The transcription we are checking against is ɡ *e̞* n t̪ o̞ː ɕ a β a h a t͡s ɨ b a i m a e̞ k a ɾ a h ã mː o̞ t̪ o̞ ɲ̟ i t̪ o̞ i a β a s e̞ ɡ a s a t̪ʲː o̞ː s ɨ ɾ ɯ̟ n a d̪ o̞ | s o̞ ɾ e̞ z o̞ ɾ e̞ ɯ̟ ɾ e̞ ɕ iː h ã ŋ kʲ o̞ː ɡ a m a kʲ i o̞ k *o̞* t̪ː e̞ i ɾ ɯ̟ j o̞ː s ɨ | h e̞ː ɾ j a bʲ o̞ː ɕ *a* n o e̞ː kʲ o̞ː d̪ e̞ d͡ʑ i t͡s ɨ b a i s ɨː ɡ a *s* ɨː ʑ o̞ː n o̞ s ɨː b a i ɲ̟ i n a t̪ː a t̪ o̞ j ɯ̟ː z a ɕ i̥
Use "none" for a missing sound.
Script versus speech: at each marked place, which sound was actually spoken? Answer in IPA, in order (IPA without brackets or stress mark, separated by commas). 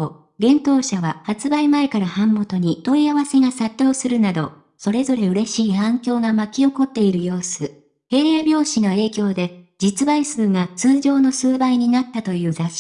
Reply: ẽ̞, o̞, i, t͡s